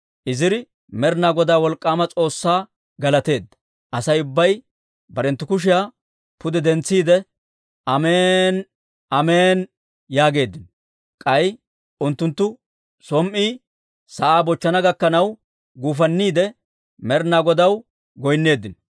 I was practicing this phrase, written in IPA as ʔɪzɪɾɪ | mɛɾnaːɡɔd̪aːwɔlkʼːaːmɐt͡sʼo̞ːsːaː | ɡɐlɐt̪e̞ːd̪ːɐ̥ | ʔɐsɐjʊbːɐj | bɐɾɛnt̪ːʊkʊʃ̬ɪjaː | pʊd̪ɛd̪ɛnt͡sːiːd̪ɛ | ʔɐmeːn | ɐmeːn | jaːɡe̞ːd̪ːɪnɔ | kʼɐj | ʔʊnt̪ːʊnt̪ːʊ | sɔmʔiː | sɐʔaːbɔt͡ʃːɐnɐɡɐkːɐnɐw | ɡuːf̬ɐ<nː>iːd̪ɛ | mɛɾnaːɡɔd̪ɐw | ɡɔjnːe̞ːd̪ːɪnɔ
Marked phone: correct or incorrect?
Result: correct